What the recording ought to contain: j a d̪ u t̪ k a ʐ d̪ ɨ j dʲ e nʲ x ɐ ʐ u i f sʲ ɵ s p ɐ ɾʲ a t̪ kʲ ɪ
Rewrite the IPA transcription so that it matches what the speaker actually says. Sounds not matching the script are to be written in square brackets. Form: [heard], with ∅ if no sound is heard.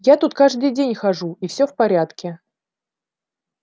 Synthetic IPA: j a [t̪] u t̪ k a ʐ d̪ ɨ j dʲ e nʲ x ɐ ʐ u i f sʲ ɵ [f] p ɐ ɾʲ a t̪ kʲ ɪ